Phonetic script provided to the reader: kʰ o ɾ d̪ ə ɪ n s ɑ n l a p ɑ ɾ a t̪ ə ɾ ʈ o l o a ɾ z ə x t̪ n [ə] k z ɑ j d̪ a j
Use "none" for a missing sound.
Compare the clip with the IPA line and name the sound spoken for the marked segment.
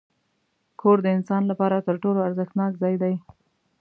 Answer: ɑ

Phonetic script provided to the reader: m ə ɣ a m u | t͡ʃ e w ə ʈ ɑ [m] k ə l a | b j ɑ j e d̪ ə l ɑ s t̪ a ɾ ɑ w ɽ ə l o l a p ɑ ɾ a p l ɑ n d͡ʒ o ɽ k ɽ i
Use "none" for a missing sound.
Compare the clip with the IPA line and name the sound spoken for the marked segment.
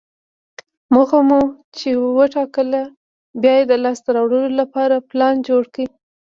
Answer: none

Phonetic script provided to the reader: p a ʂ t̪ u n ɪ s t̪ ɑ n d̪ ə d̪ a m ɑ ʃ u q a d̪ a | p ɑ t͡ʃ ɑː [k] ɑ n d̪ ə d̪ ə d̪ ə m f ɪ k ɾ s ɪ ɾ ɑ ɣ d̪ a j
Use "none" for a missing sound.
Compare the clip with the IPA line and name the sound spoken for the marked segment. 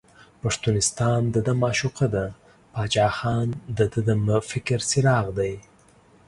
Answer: x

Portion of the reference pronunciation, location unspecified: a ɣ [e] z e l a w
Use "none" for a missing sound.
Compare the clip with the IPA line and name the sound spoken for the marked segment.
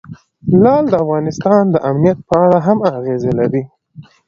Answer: e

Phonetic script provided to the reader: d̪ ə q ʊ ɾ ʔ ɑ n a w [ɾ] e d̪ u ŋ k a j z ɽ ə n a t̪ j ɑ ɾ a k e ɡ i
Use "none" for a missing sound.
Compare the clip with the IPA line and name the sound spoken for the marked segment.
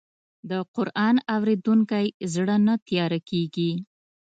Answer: ɾ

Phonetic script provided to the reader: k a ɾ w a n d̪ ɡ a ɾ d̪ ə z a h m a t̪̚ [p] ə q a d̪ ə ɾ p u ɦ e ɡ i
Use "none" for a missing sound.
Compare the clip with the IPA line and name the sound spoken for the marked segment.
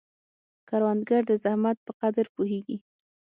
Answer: p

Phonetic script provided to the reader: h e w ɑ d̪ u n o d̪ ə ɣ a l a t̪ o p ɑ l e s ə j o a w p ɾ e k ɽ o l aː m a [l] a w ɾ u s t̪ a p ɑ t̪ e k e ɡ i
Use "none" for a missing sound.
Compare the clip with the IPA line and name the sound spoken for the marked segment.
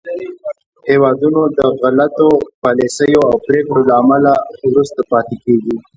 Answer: l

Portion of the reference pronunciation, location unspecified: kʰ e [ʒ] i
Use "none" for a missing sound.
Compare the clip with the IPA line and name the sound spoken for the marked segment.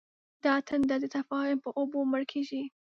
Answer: ʒ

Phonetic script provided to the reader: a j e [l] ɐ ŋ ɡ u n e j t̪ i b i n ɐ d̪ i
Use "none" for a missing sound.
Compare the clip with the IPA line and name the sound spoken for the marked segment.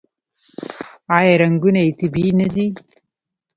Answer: ɾ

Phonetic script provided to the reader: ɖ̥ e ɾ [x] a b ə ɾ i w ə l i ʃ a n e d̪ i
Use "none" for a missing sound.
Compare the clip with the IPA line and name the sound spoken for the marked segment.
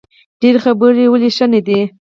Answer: x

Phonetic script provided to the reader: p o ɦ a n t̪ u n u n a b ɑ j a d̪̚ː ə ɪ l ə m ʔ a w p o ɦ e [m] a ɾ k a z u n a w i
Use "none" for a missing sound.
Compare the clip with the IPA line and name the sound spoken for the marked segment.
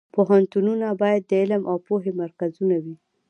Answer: m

